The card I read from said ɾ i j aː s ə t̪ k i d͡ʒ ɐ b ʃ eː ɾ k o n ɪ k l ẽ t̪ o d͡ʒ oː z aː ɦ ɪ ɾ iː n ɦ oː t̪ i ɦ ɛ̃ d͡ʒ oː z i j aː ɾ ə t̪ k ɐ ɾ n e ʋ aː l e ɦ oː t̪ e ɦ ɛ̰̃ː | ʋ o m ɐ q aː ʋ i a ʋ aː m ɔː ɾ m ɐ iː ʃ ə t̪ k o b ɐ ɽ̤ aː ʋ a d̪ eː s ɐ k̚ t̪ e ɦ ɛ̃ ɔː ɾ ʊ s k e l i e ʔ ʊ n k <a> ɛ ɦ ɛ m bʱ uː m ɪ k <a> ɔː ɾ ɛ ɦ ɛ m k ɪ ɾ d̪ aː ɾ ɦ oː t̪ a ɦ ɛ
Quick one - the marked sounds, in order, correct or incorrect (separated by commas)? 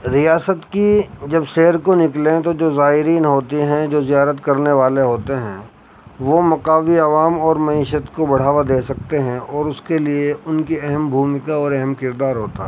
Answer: incorrect, correct